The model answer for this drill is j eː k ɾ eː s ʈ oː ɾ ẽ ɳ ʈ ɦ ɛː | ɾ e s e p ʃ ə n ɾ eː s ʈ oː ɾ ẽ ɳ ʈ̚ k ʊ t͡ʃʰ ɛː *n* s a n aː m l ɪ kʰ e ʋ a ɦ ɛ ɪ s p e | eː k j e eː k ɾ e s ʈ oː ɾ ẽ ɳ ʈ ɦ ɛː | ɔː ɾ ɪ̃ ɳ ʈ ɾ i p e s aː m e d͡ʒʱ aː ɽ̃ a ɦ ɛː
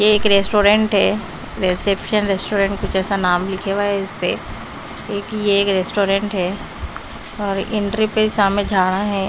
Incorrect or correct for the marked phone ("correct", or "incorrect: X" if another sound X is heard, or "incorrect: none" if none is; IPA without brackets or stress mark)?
incorrect: none